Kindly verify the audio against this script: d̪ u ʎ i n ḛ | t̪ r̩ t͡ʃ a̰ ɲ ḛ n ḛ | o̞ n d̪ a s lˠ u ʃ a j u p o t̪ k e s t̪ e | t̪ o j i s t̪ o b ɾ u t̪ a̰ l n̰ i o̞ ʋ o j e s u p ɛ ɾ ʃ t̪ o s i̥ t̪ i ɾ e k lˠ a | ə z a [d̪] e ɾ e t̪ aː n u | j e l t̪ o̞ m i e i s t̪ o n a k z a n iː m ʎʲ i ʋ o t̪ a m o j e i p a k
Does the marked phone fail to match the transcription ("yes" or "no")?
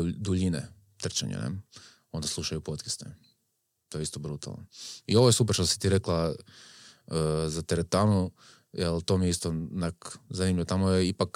yes